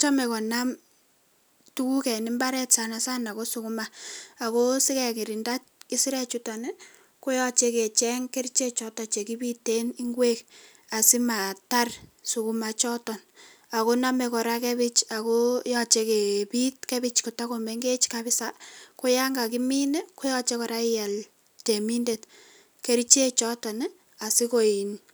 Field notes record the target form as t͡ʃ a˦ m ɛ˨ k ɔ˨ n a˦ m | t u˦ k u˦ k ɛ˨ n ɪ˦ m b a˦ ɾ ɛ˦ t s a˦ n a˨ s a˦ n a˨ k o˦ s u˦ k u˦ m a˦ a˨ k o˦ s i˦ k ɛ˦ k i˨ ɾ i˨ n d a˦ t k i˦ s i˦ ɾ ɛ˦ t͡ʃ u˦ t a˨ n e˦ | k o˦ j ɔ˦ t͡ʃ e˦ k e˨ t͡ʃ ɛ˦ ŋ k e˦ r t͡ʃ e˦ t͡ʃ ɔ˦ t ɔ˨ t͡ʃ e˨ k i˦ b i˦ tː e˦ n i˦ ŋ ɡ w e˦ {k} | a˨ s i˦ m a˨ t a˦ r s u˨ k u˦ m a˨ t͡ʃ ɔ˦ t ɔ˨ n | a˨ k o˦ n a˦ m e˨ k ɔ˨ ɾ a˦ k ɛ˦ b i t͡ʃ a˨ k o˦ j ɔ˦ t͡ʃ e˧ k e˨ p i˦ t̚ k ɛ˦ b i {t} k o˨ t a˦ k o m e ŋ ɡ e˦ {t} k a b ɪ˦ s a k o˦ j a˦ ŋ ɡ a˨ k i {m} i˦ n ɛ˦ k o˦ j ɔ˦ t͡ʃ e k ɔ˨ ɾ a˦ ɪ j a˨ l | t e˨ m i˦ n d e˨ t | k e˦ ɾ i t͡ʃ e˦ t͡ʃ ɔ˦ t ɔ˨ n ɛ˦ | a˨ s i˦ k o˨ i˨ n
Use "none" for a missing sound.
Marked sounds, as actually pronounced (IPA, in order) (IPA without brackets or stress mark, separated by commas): k, t͡ʃ, t͡ʃ, m